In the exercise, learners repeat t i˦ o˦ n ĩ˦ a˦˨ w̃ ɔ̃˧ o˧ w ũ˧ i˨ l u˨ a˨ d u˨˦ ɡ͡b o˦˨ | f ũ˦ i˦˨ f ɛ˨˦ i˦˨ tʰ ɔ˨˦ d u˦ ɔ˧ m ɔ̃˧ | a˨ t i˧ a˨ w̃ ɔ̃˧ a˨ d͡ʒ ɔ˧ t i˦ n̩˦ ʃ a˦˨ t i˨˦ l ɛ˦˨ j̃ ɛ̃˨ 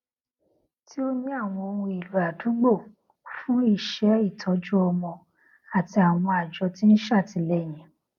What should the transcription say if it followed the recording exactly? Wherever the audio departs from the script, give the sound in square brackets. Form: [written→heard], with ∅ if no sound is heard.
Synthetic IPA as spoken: t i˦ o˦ n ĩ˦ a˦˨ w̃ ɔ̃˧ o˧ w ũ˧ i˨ l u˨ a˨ d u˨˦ ɡ͡b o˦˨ | f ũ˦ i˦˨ [f→ʃ] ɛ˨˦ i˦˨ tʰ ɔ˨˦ [d→d͡ʒ] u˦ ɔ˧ m ɔ̃˧ | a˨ t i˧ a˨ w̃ ɔ̃˧ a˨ d͡ʒ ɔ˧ t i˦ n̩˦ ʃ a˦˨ t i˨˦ l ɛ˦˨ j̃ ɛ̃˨